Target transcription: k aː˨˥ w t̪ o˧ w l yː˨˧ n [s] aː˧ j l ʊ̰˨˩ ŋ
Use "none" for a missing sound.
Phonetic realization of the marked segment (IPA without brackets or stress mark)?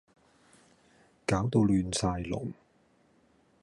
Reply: s